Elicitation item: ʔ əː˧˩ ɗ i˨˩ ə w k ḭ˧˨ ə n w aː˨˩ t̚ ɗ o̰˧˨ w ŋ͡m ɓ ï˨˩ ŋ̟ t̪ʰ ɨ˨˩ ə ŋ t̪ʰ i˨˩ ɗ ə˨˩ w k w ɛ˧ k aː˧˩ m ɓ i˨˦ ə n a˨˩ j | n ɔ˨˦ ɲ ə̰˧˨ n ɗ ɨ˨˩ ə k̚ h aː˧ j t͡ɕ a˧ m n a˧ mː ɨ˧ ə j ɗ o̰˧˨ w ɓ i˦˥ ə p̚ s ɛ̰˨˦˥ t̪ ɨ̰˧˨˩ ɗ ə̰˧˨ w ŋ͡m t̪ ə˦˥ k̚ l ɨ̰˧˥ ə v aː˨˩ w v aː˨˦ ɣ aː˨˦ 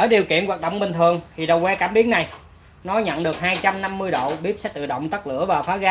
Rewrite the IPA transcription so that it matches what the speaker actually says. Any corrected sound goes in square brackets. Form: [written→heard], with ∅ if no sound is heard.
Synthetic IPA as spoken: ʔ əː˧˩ ɗ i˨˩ ə w k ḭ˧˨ ə n w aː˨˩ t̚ ɗ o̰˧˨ w ŋ͡m ɓ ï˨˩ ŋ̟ t̪ʰ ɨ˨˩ ə ŋ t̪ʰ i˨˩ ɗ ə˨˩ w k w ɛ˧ k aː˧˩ m ɓ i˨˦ ə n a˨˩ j | n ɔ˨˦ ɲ ə̰˧˨ n ɗ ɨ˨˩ ə k̚ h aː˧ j t͡ɕ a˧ m n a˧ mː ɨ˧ ə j ɗ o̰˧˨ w ɓ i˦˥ ə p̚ s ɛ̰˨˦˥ t̪ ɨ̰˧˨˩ ɗ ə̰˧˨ w ŋ͡m t̪ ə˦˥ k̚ l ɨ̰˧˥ ə v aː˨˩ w [v→f] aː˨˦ ɣ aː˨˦